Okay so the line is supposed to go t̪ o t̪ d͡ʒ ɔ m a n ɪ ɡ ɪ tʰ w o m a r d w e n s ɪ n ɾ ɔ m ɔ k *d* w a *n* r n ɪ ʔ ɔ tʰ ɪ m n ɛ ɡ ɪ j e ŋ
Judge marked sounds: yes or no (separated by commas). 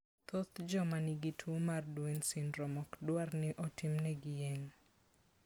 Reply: yes, no